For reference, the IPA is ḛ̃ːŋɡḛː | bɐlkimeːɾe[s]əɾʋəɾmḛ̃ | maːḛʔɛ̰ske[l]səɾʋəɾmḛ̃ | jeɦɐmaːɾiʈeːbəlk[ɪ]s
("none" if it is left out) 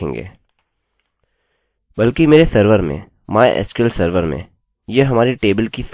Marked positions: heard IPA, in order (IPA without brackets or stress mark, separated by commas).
s, l, i